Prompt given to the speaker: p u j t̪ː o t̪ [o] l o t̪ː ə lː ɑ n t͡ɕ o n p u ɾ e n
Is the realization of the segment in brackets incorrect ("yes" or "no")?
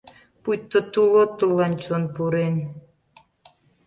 yes